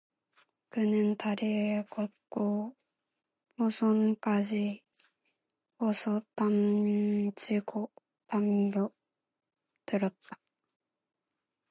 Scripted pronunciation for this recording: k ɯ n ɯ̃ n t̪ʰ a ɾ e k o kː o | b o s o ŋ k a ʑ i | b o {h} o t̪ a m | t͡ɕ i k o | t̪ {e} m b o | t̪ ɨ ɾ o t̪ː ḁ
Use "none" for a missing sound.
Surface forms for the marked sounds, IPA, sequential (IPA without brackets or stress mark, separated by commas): s, a